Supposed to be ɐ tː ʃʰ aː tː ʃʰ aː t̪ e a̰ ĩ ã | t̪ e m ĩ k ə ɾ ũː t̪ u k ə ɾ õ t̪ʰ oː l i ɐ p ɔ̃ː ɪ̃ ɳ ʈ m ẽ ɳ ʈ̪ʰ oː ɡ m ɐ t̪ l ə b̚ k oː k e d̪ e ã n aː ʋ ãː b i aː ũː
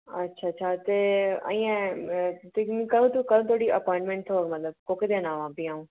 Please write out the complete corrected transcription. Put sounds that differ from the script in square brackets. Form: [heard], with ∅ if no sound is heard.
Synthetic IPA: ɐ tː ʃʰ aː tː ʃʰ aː t̪ e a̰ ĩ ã | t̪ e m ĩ k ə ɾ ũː t̪ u k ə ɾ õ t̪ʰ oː [ɽ] i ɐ p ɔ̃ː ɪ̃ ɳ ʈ m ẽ ɳ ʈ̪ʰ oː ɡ m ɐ t̪ l ə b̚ k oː k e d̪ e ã n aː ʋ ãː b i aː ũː